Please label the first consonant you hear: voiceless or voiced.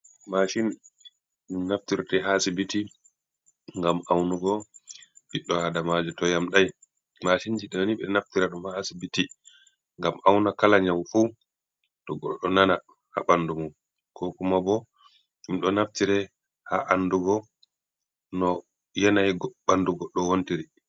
voiced